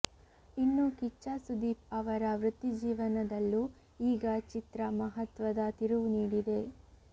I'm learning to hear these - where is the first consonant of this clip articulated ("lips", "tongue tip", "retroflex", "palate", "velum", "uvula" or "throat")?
tongue tip